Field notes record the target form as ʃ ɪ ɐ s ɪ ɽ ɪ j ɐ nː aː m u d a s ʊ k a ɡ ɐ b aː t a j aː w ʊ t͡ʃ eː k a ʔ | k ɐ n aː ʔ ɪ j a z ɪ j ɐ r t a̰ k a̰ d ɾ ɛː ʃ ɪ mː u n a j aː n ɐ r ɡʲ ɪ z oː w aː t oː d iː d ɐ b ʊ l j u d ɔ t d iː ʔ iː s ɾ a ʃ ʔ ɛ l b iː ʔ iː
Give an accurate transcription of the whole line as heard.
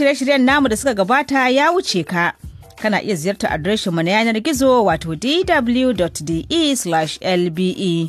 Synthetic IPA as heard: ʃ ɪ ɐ ʃ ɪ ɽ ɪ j ɐ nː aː m u d a s ʊ k a ɡ ɐ b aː t a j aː w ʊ t͡ʃ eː k a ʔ | k ɐ n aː ʔ ɪ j a z ɪ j ɐ r t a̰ ʔ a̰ d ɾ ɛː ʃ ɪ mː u n a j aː n ɐ r ɡʲ ɪ z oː w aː t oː d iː d ɐ b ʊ l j u d ɔ t d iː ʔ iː s l a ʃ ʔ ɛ l b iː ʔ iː